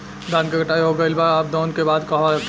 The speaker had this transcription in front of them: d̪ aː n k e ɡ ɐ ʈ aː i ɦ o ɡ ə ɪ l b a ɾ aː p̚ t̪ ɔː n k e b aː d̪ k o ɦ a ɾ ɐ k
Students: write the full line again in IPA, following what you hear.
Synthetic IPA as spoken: d̪ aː n k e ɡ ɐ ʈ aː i ɦ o ɡ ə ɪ l b a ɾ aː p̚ d̪ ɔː n k e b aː d̪ k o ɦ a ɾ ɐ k